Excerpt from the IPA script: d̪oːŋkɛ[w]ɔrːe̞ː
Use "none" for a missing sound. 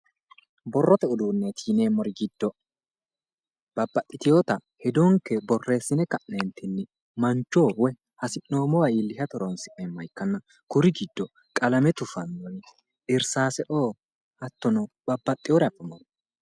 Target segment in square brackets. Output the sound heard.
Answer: b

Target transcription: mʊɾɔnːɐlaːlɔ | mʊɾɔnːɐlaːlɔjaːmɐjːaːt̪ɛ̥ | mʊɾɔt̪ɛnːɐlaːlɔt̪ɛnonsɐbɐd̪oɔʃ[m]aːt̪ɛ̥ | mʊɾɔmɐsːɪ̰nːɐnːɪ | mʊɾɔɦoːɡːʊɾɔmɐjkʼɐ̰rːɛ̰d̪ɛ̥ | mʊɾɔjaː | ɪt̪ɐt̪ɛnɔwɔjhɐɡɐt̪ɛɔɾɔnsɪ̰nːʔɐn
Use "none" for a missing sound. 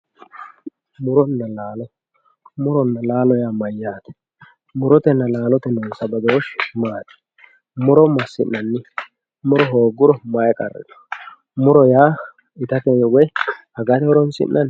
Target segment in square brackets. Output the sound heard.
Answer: m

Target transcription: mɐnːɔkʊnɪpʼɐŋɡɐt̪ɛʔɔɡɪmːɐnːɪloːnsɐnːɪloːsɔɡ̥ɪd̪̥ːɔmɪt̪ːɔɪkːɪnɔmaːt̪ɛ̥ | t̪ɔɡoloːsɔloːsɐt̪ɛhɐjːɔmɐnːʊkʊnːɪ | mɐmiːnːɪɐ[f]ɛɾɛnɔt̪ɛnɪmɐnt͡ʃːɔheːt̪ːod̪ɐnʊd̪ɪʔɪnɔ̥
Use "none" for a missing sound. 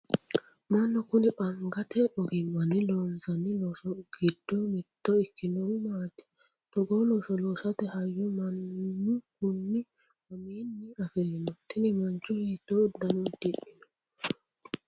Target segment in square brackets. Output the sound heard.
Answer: f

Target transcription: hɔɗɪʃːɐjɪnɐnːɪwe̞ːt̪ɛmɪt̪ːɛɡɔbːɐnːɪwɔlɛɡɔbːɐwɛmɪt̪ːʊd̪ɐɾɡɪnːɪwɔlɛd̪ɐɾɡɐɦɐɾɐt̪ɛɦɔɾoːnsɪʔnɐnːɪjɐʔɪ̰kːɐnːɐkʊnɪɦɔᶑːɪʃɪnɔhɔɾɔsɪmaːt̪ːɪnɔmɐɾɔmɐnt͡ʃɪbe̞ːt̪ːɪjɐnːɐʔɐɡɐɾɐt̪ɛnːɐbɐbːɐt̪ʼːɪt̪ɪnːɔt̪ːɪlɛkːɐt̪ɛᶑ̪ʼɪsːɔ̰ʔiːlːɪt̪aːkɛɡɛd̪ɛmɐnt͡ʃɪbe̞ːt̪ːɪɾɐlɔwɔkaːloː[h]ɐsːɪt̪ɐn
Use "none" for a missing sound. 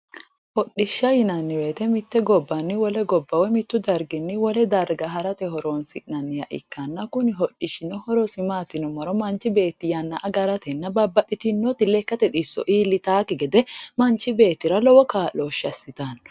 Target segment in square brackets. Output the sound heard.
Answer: ʃ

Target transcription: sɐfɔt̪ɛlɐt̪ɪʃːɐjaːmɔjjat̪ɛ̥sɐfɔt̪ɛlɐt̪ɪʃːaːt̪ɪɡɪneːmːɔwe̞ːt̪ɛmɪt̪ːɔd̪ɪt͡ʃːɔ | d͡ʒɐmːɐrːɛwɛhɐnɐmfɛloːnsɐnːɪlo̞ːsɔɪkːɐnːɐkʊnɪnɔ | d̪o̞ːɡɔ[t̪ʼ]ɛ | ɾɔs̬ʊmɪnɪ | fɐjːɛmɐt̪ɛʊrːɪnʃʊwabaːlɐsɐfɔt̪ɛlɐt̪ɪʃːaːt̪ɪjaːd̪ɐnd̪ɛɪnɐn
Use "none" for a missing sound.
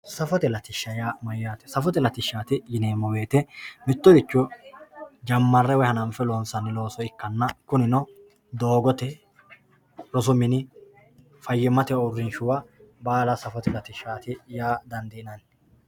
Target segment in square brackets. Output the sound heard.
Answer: t̪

